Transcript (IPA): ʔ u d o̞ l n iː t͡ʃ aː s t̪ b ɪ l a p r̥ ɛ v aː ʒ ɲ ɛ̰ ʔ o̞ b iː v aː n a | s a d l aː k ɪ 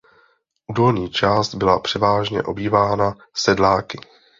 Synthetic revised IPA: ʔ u d o̞ l ɲ iː t͡ʃ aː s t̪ b ɪ l a p r̥ ɛ v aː ʒ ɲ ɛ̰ ʔ o̞ b iː v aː n a | s ɛ d l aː k ɪ